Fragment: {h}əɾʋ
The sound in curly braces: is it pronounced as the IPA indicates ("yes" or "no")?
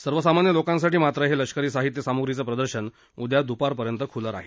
no